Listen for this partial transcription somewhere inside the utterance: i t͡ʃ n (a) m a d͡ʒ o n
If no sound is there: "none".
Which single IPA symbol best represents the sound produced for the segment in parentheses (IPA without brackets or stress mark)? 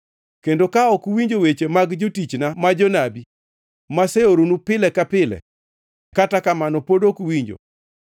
a